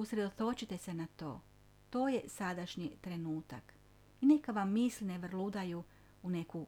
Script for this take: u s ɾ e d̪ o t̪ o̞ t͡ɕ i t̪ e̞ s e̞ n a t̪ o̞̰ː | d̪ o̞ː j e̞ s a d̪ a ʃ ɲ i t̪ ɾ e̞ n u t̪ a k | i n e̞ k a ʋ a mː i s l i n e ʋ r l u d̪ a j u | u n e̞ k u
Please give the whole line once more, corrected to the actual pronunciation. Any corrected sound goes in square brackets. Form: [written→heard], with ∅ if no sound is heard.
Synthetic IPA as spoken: u s ɾ e d̪ o t̪ o̞ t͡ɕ i t̪ e̞ s e̞ n a t̪ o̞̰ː | [d̪→t̪] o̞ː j e̞ s a d̪ a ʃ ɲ i t̪ ɾ e̞ n [u→uː] t̪ a k | i n e̞ k a ʋ a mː i s l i n e ʋ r l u d̪ a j u | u n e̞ k u